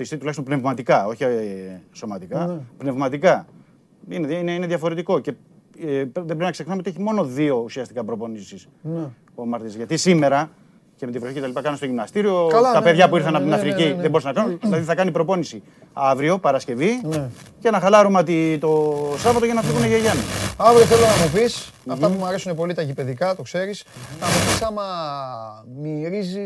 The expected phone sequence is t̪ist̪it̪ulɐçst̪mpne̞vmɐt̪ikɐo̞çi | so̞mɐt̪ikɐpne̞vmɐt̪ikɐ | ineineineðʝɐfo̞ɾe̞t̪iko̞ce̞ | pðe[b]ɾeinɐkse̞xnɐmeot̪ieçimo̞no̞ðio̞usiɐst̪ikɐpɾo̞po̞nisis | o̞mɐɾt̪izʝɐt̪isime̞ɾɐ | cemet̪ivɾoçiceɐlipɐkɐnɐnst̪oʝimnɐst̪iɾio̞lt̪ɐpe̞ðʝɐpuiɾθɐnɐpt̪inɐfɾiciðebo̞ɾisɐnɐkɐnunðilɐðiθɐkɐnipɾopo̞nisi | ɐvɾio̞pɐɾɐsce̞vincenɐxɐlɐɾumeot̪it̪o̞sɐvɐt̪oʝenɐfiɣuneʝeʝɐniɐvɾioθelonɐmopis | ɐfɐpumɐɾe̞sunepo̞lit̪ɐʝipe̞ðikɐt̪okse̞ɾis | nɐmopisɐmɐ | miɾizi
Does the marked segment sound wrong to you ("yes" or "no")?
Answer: no